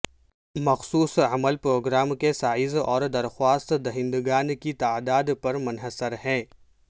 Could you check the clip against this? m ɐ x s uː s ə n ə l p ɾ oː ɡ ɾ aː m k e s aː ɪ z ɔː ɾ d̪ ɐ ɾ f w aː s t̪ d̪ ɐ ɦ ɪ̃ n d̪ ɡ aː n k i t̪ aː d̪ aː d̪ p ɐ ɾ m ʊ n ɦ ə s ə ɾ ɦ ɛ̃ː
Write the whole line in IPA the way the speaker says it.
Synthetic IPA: m ɐ x s uː s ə m ə l p ɾ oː ɡ ɾ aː m k e s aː ɪ z ɔː ɾ d̪ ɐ ɾ x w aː s t̪ d̪ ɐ ɦ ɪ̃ n d̪ ɡ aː n k i t̪ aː d̪ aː d̪ p ɐ ɾ m ʊ n ɦ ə s ə ɾ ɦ ɛ̃ː